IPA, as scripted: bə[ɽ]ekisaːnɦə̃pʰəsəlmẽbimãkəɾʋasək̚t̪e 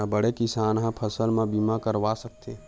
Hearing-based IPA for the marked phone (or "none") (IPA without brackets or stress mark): ɽ